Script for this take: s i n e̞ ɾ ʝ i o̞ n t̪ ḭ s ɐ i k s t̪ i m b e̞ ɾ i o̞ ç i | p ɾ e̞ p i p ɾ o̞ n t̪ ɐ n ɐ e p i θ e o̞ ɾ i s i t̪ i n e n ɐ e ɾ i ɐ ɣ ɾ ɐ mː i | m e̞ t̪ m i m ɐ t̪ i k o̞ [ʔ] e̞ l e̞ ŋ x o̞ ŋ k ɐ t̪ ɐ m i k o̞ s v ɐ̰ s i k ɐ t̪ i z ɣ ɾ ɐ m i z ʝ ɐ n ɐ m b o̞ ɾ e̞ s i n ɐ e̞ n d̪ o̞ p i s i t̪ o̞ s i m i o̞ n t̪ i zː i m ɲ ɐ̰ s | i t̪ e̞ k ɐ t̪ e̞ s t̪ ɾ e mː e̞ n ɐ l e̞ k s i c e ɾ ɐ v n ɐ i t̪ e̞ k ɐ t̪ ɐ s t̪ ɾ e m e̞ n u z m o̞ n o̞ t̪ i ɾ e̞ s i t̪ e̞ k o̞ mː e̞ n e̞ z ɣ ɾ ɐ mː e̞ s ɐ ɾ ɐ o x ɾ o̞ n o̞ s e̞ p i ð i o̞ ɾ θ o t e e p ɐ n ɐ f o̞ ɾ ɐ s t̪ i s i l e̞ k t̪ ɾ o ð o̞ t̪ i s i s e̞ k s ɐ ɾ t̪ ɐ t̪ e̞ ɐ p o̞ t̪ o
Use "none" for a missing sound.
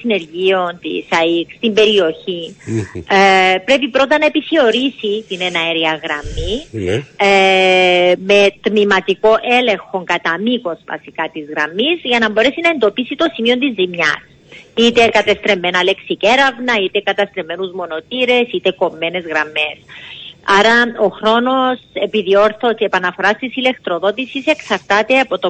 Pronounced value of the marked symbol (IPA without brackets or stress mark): ʔ